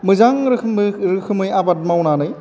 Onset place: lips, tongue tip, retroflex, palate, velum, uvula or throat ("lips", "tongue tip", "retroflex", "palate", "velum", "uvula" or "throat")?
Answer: lips